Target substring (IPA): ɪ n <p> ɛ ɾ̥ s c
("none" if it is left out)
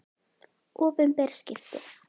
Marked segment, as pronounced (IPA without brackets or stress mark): p